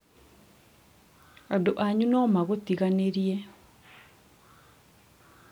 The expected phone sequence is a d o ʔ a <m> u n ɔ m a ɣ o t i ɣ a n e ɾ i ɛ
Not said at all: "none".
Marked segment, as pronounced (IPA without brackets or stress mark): ɲ